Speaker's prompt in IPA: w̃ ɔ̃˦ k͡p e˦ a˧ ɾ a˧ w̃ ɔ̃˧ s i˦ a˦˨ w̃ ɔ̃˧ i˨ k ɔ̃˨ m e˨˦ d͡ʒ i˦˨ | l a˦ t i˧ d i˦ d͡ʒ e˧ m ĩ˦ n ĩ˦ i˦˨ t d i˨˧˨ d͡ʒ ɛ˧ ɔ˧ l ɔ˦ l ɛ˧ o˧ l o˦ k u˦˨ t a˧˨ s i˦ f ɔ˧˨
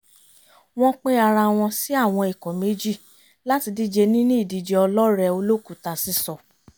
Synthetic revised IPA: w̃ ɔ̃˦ k͡p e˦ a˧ ɾ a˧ w̃ ɔ̃˧ s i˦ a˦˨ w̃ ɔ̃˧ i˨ k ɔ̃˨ m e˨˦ d͡ʒ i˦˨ | l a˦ t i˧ d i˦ d͡ʒ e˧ n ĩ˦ n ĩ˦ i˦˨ d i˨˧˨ d͡ʒ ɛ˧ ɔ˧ l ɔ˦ ɾ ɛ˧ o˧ l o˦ k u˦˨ t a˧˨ s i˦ s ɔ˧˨